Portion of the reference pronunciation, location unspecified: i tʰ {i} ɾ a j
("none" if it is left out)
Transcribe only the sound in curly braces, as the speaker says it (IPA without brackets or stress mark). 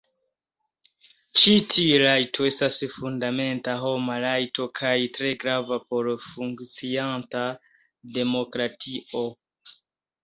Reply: i